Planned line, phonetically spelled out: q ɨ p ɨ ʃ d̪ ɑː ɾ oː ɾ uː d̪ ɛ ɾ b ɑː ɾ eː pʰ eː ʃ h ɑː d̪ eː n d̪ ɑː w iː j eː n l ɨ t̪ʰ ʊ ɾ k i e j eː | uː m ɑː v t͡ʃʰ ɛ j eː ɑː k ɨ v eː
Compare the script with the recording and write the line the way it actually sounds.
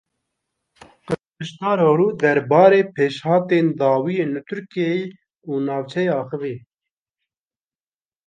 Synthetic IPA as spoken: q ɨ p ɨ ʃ t̪ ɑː ɾ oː ɾ uː d̪ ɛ ɾ b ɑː ɾ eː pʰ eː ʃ h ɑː t̪ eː n d̪ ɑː w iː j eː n l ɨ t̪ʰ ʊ ɾ k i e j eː | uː n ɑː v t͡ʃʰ ɛ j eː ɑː x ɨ v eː